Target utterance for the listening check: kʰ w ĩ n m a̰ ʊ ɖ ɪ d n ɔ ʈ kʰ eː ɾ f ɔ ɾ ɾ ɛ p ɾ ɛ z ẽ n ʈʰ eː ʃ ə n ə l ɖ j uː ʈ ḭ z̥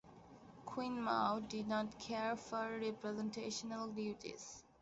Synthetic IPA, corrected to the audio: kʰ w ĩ n m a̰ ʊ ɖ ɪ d n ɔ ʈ kʰ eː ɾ f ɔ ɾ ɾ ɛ p ɾ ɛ z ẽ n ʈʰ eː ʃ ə n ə l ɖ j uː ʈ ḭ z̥